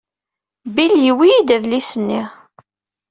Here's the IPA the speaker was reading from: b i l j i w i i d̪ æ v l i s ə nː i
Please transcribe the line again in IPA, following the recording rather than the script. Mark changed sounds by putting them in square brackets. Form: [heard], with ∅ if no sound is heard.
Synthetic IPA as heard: b i l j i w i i d̪ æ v l i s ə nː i